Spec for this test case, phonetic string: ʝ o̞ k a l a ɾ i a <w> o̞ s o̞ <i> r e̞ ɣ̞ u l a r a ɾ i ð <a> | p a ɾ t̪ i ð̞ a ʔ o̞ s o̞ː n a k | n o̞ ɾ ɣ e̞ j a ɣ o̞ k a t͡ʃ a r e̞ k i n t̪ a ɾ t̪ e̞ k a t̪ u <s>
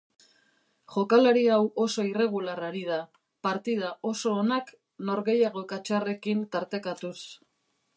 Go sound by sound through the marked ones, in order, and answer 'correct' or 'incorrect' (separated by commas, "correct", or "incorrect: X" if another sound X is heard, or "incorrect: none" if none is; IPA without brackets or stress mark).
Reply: correct, correct, correct, correct